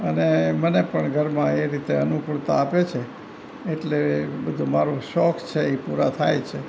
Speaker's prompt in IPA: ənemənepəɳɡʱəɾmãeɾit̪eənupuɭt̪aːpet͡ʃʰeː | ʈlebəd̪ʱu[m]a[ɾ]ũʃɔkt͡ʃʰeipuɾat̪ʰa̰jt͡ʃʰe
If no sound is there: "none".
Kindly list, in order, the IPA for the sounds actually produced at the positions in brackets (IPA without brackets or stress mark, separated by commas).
m, ɾ